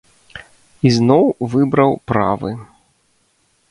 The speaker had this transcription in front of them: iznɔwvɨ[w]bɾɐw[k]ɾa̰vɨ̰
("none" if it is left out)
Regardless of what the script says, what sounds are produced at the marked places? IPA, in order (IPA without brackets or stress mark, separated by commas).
none, p